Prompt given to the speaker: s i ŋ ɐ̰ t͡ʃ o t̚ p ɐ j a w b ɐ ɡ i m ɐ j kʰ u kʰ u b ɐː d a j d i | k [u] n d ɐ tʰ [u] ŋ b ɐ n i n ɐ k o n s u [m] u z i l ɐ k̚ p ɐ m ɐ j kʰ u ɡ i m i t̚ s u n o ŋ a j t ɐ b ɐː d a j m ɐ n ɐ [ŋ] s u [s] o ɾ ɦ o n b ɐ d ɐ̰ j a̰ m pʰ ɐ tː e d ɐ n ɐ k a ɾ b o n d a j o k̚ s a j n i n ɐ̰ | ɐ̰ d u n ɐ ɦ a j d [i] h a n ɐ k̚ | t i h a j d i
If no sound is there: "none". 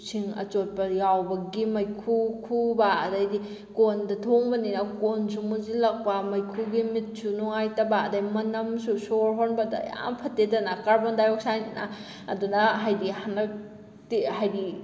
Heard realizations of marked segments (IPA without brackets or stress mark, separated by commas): o, o, m, m, s, i